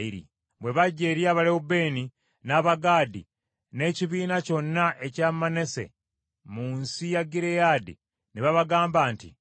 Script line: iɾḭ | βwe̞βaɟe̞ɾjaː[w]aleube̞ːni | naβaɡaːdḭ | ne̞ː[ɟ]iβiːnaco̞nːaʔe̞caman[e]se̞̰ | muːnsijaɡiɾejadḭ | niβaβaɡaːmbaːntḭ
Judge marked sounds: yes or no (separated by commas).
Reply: no, no, yes